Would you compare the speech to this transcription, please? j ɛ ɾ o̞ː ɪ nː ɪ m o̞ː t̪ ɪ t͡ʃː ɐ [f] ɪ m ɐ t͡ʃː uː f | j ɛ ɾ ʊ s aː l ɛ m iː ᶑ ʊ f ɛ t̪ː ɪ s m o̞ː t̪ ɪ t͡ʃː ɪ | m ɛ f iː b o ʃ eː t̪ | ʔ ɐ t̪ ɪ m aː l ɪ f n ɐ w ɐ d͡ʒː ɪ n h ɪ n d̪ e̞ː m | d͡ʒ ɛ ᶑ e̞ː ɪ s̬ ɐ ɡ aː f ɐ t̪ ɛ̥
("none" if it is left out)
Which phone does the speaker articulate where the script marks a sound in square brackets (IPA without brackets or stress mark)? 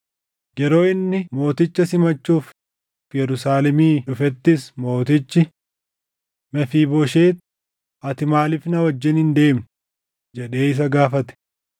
s